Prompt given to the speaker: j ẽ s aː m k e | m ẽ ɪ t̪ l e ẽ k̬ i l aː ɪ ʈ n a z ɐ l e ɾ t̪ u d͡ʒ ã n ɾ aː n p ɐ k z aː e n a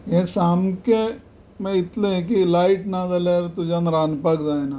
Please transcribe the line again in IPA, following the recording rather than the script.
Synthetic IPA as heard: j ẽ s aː m k e | m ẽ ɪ t̪ l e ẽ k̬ i l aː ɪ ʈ n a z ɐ l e ɾ t̪ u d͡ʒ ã n ɾ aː n p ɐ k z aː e n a